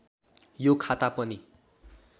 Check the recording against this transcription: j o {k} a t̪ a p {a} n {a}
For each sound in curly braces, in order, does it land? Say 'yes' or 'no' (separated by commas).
no, no, no